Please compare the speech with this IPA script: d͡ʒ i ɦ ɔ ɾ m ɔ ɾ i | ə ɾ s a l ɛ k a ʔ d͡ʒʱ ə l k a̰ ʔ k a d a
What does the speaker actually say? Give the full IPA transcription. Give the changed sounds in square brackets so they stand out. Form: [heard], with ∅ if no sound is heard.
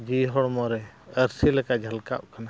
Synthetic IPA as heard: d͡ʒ i ɦ ɔ [ɽ] m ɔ ɾ [ɛ] | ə ɾ s [i] l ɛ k a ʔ d͡ʒʱ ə l k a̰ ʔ k a [n] a

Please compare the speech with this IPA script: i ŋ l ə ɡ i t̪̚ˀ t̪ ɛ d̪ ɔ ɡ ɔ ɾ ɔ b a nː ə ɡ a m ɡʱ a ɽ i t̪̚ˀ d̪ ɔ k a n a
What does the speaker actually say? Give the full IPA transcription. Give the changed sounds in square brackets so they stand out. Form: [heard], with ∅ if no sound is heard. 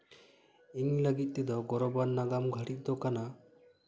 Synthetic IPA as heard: i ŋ l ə ɡ i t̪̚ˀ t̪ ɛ d̪ ɔ ɡ ɔ ɾ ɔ b a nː [a] ɡ a m ɡʱ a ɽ i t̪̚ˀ d̪ ɔ k a n a

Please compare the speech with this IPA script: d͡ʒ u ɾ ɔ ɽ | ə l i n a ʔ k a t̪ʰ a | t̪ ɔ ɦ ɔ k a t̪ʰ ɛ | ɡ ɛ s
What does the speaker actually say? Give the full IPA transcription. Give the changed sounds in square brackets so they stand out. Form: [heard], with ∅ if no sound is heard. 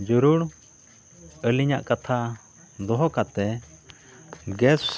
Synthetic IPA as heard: d͡ʒ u ɾ [u] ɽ | ə l i [ɲ] a ʔ k a t̪ʰ a | [d̪] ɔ ɦ ɔ k a [t̪] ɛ | ɡ ɛ s

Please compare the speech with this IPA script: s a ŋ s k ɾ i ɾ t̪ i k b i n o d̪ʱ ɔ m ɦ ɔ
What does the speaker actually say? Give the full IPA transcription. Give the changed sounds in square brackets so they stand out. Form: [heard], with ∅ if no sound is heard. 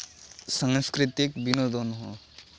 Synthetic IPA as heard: s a ŋ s k ɾ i [∅] t̪ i k b i n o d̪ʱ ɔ [n] ɦ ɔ

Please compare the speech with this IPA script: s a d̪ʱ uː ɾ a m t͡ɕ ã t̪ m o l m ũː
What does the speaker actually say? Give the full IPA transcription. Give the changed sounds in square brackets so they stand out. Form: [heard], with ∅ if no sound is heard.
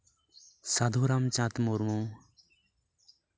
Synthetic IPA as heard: s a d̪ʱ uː ɾ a m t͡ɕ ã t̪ m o [ɾ] m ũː

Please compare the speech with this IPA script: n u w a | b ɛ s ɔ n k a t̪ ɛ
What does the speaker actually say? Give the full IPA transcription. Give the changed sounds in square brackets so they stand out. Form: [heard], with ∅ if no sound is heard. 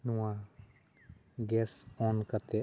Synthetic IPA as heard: n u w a | [ɡ] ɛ s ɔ n k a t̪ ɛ

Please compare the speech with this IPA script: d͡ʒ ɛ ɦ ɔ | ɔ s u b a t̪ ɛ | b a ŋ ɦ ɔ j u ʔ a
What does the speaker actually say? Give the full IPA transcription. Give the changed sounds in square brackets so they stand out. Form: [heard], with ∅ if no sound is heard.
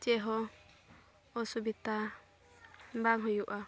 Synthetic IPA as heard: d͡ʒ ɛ ɦ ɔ | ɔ s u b [i] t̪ [a] | b a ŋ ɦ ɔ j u ʔ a

